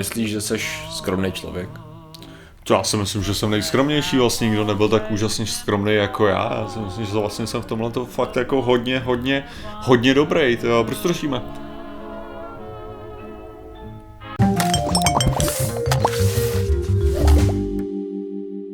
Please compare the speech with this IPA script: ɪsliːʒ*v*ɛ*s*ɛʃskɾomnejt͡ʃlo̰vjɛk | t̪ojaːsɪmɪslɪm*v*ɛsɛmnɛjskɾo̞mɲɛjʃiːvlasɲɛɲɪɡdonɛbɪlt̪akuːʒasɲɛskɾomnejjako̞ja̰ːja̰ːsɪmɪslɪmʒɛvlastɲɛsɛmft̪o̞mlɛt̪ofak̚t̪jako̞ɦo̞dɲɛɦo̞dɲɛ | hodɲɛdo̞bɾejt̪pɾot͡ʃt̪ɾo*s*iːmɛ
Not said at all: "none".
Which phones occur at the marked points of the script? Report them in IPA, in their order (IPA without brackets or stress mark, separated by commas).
ʒ, s, ʒ, ʃ